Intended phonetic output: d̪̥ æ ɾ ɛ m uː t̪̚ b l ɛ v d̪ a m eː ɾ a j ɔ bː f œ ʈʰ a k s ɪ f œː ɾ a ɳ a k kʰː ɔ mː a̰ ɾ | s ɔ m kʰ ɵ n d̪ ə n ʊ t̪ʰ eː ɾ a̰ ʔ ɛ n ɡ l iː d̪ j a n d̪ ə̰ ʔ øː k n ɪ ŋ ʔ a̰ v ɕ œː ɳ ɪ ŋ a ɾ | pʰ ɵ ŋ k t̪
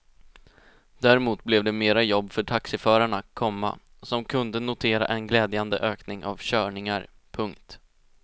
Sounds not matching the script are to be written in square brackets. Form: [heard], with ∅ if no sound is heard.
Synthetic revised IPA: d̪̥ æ ɾ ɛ m uː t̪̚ b l ɛ v d̪ [ɛ] m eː ɾ a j ɔ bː f œ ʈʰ a k s ɪ f œː ɾ a ɳ a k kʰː ɔ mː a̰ [∅] | s ɔ m kʰ ɵ n d̪ ə n ʊ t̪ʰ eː ɾ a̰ ʔ ɛ n ɡ l [ɛː] d̪ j a n d̪ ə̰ ʔ øː k n ɪ ŋ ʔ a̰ v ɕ œː ɳ ɪ ŋ a ɾ | pʰ ɵ ŋ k t̪